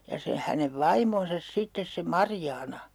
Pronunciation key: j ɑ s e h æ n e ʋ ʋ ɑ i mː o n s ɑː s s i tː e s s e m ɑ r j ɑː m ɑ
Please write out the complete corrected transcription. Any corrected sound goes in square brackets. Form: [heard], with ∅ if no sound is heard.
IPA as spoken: j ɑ s e h æ n e ʋ ʋ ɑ i [m] o n s [ɑ] s s i tː e s s e m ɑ r j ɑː [n] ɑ